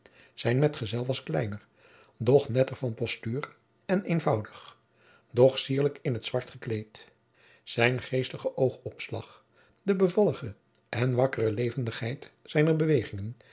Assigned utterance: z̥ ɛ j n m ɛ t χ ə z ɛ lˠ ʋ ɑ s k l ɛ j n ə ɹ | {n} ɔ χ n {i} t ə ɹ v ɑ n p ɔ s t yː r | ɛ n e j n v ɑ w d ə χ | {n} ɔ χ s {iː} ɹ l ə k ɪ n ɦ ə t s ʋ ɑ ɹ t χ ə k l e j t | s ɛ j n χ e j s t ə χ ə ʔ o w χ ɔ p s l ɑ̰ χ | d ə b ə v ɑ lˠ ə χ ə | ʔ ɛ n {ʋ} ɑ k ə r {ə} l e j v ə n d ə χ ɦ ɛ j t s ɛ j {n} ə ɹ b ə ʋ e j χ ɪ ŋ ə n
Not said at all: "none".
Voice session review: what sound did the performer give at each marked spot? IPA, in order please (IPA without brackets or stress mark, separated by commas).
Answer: d, ɛ, d, iː, ʋ, ə, n